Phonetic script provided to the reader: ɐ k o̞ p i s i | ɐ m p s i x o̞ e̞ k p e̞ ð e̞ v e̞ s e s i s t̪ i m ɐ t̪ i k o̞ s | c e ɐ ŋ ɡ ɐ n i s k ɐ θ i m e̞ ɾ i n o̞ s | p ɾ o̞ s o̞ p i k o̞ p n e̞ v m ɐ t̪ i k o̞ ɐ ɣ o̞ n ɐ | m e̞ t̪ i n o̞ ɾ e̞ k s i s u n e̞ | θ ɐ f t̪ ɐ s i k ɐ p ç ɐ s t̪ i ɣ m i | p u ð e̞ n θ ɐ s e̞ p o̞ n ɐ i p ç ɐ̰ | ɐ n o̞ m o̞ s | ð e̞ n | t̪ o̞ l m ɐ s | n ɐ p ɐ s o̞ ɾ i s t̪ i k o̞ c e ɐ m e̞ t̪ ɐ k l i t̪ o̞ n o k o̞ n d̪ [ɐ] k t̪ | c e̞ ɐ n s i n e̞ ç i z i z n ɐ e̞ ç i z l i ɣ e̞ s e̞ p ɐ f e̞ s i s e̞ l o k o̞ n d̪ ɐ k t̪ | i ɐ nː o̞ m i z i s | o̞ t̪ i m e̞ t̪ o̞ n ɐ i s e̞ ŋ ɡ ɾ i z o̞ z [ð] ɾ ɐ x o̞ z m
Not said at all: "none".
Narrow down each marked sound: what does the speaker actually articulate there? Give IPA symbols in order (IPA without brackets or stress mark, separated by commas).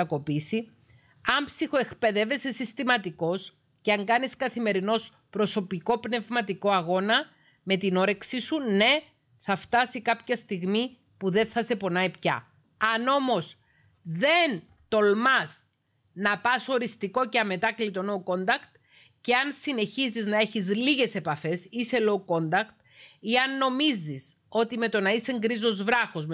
ɐ, v